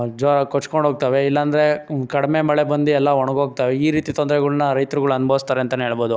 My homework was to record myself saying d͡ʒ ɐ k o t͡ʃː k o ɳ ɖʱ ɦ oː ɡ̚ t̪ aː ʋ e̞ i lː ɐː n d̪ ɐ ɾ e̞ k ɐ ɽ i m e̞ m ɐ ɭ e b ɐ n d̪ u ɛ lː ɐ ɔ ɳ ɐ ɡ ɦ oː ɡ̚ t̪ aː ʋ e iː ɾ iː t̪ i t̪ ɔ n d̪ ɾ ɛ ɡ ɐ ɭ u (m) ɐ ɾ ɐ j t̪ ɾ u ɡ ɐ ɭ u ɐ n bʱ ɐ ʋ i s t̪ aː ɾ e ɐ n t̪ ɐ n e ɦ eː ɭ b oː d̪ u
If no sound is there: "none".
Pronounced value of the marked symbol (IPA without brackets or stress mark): n